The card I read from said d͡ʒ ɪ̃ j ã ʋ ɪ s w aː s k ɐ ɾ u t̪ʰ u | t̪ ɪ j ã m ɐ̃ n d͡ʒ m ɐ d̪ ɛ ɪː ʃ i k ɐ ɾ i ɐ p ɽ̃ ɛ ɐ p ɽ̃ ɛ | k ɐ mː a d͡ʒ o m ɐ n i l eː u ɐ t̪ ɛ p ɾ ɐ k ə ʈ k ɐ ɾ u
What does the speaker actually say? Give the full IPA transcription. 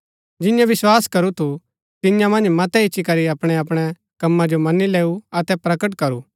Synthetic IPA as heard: d͡ʒ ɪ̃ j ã ʋ ɪ s w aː s k ɐ ɾ u t̪ʰ u | t̪ ɪ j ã m ɐ̃ n d͡ʒ m ɐ t̪ ɛ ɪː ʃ i k ɐ ɾ i ɐ p ɽ̃ ɛ ɐ p ɽ̃ ɛ | k ɐ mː a d͡ʒ o m ɐ n i l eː u ɐ t̪ ɛ p ɾ ɐ k ə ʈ k ɐ ɾ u

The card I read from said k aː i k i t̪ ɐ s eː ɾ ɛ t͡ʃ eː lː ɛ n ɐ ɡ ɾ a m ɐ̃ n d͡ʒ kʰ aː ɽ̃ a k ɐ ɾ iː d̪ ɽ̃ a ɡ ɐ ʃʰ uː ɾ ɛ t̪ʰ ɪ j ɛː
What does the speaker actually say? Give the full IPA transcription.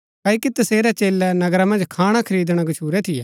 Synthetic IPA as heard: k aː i k i t̪ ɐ s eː ɾ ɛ t͡ʃ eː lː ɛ n ɐ ɡ ɾ a m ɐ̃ n d͡ʒ kʰ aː ɽ̃ a kʰ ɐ ɾ iː d̪ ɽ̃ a ɡ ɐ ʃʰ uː ɾ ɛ t̪ʰ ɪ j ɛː

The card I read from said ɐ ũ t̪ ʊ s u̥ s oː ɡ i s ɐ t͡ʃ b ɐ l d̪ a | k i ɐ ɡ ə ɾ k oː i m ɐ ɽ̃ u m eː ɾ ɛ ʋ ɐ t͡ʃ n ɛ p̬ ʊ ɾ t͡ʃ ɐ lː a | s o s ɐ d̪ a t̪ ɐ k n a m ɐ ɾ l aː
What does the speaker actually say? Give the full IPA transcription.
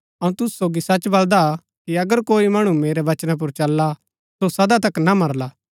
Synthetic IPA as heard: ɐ ũ t̪ ʊ s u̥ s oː ɡ i s ɐ t͡ʃ b ɐ l d̪ a | k i ɐ ɡ ə ɾ k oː i m ɐ ɽ̃ u m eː ɾ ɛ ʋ ɐ t͡ʃ n a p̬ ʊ ɾ t͡ʃ ɐ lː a | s o s ɐ d̪ a t̪ ɐ k n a m ɐ ɾ l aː

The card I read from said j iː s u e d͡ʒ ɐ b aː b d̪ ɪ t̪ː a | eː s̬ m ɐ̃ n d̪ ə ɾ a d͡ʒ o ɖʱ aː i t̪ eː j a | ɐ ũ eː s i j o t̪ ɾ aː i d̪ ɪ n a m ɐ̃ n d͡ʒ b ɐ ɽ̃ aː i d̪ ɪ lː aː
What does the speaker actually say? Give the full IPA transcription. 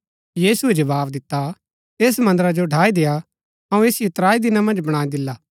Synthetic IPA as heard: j iː s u e d͡ʒ ɐ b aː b d̪ ɪ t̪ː a | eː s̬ m ɐ̃ n d̪ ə ɾ a d͡ʒ o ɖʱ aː i d̪ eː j a | ɐ ũ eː s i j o t̪ ɾ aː i d̪ ɪ n a m ɐ̃ n d͡ʒ b ɐ ɽ̃ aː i d̪ ɪ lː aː

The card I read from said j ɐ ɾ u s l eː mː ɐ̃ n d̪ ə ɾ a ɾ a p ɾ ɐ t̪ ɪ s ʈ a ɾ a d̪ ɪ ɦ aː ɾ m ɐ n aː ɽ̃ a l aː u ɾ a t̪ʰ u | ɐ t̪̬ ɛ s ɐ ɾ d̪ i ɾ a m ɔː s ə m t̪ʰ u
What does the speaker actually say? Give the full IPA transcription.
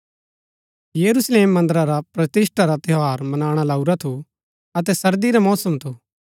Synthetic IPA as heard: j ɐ ɾ u s l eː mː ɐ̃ n d̪ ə ɾ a ɾ a p ɾ ɐ t̪ ɪ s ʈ a ɾ a t̪ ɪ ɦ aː ɾ m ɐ n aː ɽ̃ a l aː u ɾ a t̪ʰ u | ɐ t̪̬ ɛ s ɐ ɾ d̪ i ɾ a m ɔː s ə m t̪ʰ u

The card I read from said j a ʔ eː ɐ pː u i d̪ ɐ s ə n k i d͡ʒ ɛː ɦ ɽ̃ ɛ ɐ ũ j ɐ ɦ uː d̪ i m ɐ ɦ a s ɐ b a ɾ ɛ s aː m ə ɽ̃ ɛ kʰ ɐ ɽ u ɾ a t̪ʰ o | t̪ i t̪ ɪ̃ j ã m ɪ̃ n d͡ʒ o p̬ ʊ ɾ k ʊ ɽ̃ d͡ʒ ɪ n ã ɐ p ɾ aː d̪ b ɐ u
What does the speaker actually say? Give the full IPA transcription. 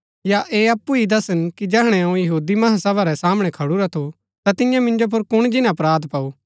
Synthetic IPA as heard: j a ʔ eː ɐ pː u i d̪ ɐ s ə n k i d͡ʒ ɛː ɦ ɽ̃ ɛ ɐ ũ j ɐ ɦ uː d̪ i m ɐ ɦ a s ɐ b a ɾ ɛ s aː m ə ɽ̃ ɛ kʰ ɐ ɽ u ɾ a t̪ʰ o | t̪ a t̪ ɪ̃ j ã m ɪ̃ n d͡ʒ o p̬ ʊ ɾ k ʊ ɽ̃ d͡ʒ ɪ n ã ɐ p ɾ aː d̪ p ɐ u

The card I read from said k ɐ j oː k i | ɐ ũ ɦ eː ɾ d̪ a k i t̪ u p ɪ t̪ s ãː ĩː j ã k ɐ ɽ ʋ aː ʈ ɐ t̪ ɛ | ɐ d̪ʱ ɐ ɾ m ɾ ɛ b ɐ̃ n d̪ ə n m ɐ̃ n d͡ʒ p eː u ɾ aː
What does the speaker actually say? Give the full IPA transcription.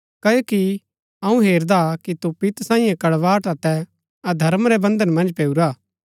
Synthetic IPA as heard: k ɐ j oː k i | ɐ ũ ɦ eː ɾ d̪ a k i t̪ u p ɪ t̪ s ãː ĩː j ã k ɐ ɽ ʋ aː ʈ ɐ t̪ ɛ | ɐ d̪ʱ ɐ ɾ m ɾ ɛ b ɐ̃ n d̪ ə n m ɐ̃ n d͡ʒ p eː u ɾ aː

